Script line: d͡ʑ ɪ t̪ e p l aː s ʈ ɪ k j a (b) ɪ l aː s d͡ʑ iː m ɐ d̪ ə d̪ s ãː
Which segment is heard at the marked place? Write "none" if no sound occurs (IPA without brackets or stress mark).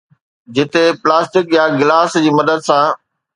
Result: ɡ